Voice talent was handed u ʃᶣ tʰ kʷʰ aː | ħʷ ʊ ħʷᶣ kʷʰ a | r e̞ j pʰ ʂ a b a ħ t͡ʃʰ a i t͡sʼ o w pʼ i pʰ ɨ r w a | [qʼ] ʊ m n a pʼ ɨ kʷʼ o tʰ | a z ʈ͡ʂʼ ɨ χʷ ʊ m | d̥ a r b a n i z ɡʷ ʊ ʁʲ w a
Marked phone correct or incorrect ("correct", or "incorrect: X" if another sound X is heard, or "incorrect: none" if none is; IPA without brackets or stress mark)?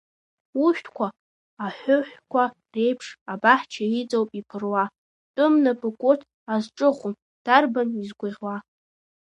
incorrect: tʼ